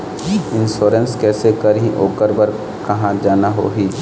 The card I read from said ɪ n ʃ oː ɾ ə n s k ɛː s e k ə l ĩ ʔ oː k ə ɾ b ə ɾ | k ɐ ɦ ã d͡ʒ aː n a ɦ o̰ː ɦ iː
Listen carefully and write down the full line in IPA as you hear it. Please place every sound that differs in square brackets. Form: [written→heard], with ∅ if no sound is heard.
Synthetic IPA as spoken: ɪ n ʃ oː ɾ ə n s k ɛː s e k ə [l→ɾ] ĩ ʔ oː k ə ɾ b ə ɾ | k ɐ ɦ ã d͡ʒ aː n a ɦ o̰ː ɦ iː